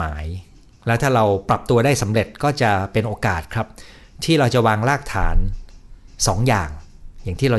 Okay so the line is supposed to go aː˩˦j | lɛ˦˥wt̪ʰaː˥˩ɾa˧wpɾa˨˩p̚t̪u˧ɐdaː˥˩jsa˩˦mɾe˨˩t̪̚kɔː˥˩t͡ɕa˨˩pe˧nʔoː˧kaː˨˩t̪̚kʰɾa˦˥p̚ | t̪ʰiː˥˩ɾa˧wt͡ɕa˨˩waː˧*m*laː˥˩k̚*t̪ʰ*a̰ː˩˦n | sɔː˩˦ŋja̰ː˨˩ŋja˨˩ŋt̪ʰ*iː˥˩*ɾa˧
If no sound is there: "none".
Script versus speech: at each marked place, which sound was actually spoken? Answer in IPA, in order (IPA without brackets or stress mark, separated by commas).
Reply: ŋ, t̪ʰ, iː˥˩